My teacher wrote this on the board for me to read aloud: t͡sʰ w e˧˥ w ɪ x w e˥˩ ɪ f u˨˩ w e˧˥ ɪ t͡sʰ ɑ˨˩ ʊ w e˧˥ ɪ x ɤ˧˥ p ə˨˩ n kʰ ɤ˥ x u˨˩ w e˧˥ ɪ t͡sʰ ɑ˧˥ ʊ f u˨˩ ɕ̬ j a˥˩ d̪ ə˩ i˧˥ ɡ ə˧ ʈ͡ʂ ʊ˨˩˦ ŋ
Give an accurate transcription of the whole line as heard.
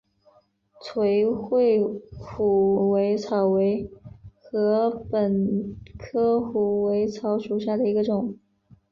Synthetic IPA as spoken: t͡sʰ w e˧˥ ɪ x w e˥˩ ɪ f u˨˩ w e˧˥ ɪ t͡sʰ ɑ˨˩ ʊ w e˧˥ ɪ x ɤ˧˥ p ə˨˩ n kʰ ɤ˥ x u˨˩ w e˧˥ ɪ t͡sʰ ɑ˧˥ ʊ ʂ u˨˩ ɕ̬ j a˥˩ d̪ ə˩ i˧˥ ɡ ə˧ ʈ͡ʂ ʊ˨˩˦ ŋ